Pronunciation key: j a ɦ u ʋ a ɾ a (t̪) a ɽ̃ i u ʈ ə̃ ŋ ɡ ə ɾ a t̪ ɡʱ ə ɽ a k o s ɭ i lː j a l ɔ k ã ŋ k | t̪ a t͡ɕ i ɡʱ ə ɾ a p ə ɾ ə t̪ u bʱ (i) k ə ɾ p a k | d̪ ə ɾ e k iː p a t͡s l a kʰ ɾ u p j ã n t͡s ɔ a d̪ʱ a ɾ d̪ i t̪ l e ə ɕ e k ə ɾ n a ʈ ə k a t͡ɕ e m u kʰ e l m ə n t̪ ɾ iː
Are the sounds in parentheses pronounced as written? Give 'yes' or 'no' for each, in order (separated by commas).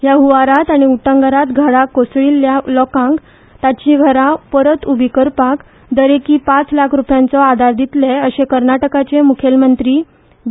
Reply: yes, yes